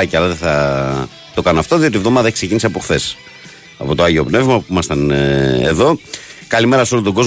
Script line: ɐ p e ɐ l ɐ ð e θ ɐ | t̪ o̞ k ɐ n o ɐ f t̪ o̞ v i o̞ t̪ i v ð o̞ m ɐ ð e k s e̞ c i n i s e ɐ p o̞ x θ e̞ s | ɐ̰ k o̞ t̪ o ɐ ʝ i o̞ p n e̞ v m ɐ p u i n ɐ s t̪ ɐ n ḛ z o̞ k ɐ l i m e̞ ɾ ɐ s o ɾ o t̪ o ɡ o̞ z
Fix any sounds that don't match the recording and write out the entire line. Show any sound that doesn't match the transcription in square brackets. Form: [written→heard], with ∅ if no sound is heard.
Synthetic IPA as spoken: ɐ [p→c] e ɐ l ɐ ð e θ ɐ | t̪ o̞ k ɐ n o ɐ f t̪ o̞ [v→ð] i o̞ t̪ i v ð o̞ m ɐ ð e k s e̞ c i n i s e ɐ p o̞ x θ e̞ s | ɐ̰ [k→p] o̞ t̪ o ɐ ʝ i o̞ p n e̞ v m ɐ p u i [n→m] ɐ s t̪ ɐ n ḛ [z→ð] o̞ k ɐ l i m e̞ ɾ ɐ s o [ɾ→l] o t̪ o ɡ o̞ z